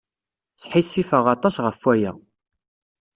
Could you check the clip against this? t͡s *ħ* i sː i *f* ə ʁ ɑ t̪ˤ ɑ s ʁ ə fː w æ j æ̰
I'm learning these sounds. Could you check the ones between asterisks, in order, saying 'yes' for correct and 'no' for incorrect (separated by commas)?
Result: yes, yes